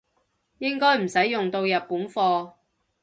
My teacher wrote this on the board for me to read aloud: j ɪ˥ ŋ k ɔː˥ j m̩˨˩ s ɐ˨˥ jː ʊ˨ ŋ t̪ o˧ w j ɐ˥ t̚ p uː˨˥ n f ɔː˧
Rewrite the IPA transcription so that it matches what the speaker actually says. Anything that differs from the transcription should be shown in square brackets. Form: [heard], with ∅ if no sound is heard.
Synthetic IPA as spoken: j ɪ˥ ŋ k ɔː˥ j m̩˨˩ s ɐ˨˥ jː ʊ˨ ŋ t̪ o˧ w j [ɐ˨] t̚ p uː˨˥ n f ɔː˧